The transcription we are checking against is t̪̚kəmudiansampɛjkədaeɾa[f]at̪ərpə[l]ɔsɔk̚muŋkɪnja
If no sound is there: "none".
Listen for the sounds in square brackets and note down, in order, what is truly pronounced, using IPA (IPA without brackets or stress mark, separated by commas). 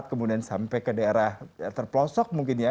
h, l